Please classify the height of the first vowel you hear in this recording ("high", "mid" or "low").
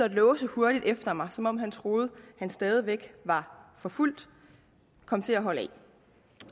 low